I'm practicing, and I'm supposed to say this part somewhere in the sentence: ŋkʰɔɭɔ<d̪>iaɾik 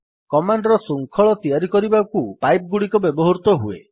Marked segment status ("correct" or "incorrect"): incorrect